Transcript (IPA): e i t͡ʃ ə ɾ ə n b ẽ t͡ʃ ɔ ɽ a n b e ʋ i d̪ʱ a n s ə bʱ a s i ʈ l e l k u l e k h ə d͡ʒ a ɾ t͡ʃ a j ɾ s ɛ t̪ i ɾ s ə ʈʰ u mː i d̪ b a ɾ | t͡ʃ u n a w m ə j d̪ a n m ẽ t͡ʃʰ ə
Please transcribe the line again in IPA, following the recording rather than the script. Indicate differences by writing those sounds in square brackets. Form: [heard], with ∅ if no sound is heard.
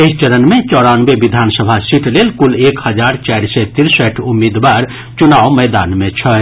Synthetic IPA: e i t͡ʃ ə ɾ ə n [m] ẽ t͡ʃ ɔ ɽ a n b e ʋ i d̪ʱ a n s ə bʱ a s i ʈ l e l k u l e k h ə d͡ʒ a ɾ t͡ʃ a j ɾ s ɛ t̪ i ɾ s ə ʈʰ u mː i d̪ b a ɾ | t͡ʃ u n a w m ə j d̪ a n m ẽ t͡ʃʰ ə